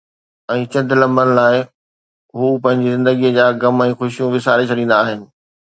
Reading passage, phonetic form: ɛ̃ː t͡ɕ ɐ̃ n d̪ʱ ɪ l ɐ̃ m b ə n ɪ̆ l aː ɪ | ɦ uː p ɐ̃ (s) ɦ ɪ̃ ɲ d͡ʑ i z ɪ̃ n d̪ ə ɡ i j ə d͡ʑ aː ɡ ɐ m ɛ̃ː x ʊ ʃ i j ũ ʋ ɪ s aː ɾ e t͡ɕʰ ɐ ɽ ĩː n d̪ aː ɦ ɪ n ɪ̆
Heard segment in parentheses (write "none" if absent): none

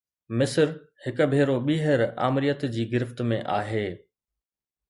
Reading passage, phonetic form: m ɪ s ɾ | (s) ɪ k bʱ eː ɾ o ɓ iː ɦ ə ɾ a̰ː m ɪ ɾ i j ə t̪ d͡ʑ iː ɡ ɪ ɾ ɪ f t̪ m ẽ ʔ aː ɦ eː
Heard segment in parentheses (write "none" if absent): h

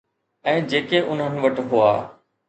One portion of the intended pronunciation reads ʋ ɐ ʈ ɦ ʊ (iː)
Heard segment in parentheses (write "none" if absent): aː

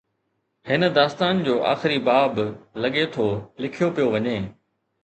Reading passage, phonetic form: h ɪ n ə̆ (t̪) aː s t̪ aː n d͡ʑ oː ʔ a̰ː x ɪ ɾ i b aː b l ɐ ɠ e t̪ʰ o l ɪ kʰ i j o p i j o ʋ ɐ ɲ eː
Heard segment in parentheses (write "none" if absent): d̪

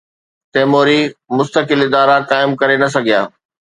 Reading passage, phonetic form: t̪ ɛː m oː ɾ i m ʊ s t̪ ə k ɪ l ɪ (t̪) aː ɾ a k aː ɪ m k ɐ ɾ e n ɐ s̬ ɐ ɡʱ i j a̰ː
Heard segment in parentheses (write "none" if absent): d̪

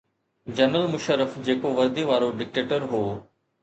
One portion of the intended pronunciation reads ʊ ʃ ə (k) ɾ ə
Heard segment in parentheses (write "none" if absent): none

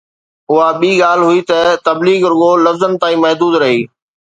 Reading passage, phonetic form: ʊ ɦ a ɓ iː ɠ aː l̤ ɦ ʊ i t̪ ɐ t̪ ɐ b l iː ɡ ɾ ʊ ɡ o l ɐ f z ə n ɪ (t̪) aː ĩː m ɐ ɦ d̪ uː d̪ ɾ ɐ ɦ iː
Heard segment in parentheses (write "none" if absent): t̪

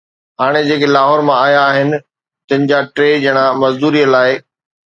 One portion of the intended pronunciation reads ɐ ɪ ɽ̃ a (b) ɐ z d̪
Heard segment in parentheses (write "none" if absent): m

